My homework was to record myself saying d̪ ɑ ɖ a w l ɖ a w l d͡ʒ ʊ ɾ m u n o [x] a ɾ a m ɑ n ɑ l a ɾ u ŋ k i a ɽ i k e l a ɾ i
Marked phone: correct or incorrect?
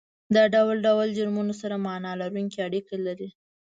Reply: incorrect: s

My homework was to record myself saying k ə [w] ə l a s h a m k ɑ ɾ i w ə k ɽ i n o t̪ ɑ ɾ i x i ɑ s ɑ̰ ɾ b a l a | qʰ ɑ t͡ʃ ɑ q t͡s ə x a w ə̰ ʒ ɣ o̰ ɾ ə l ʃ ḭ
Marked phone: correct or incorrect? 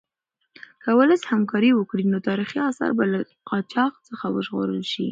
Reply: correct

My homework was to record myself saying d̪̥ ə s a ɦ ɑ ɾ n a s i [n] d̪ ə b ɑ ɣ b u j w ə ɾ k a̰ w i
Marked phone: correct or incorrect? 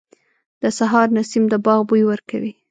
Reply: incorrect: m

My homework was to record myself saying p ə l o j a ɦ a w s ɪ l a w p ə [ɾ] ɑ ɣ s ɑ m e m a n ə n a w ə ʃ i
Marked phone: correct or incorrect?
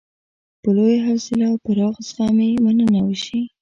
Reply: correct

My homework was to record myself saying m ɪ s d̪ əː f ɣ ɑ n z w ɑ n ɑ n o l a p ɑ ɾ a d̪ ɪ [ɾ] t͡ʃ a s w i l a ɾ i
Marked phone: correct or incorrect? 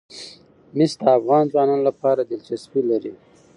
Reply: incorrect: l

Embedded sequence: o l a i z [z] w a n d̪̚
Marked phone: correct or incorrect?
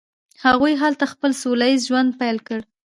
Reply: incorrect: ʒ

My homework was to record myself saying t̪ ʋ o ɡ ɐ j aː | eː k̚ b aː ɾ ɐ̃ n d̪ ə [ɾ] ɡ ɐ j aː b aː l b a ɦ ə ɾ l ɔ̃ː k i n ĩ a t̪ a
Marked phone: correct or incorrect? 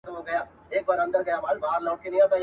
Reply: correct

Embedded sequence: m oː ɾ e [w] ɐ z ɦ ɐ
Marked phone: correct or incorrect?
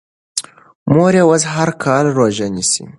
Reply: correct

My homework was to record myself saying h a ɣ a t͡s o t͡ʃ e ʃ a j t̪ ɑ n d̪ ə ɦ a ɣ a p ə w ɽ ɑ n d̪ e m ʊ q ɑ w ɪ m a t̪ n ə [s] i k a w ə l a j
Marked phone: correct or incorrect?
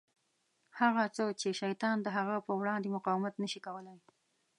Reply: incorrect: ʃ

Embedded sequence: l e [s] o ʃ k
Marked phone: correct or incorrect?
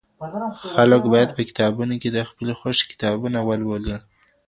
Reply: incorrect: x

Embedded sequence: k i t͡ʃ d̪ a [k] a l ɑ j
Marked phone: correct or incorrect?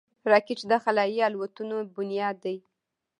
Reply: incorrect: x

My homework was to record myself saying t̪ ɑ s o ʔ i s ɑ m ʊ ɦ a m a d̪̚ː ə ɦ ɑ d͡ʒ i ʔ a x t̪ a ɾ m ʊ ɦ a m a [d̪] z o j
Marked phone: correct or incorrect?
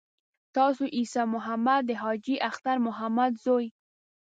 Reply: correct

